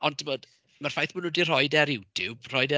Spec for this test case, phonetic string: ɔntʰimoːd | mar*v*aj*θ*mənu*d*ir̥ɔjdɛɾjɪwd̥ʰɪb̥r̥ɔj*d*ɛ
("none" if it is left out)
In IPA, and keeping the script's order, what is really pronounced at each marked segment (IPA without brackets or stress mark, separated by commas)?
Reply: f, θ, d, d